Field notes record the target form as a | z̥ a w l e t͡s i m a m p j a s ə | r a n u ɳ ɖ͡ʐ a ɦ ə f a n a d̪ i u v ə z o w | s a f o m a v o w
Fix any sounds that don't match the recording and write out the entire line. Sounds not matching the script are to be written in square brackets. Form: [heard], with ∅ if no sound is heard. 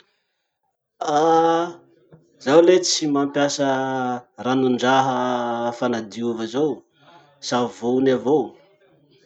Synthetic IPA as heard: a | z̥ a w l e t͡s i m a m p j a s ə | r a n u ɳ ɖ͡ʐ a ɦ ə f a n a d̪ i u v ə z o w | s a [v] o [n] a v o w